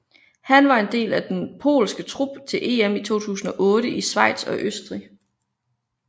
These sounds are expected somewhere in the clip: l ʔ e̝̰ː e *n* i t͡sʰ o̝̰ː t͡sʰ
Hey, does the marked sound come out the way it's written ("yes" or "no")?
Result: no